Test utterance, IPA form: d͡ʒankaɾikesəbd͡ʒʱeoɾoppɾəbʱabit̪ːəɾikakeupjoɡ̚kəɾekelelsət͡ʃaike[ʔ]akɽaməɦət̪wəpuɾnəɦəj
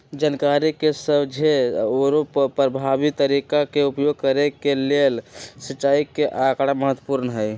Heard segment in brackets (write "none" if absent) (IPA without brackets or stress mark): ʔ